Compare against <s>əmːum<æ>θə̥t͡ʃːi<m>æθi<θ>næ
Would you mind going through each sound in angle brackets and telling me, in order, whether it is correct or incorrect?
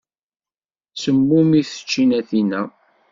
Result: correct, incorrect: i, incorrect: n, incorrect: none

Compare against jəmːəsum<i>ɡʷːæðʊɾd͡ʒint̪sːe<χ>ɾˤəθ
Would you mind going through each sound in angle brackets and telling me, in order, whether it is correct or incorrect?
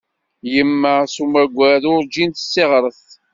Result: incorrect: æ, incorrect: ʁ

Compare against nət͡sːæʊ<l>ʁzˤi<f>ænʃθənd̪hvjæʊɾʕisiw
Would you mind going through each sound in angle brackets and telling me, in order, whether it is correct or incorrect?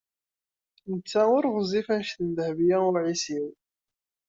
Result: incorrect: ɾ, correct

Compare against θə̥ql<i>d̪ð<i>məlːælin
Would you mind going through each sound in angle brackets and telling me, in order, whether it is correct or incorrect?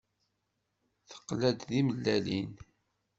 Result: incorrect: æ, correct

